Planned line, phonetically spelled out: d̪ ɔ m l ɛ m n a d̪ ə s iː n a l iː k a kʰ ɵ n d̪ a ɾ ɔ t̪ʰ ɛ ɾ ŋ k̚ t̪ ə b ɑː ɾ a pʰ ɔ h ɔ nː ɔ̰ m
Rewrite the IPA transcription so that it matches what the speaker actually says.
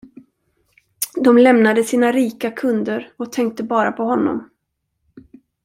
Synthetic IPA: d̪ ɔ m l ɛ m n a d̪ ə s iː n a ɾ iː k a kʰ ɵ n d̪ ə ɾ ɔ t̪ʰ ɛ ŋ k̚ t̪ ə b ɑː ɾ a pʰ ɔ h ɔ nː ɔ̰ m